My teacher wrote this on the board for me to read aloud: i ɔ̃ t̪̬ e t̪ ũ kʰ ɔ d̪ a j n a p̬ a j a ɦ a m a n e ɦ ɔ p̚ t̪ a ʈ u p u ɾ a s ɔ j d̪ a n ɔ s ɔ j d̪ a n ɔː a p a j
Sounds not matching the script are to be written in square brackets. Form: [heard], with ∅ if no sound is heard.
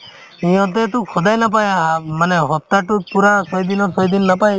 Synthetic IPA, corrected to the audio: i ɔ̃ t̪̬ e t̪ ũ kʰ ɔ d̪ a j n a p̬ a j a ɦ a m a n e ɦ ɔ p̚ t̪ a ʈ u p u ɾ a s ɔ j d̪ [i] n ɔ s ɔ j d̪ [i] n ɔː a p a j